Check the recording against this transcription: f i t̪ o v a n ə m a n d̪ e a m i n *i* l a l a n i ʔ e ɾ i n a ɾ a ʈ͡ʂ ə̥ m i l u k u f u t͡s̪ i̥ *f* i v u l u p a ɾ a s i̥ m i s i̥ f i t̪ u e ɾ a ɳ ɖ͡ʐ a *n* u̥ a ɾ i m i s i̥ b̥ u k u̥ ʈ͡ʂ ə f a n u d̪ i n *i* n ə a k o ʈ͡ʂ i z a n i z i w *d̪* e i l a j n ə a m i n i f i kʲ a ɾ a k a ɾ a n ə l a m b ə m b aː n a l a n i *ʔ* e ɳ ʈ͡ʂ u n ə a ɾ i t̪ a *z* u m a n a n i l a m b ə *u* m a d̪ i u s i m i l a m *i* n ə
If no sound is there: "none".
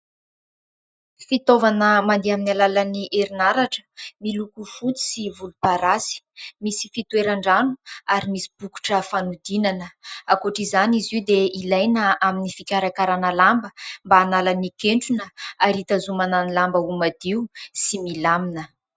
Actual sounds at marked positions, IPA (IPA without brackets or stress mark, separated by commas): a, s, n, a, d̪, k, z, u, i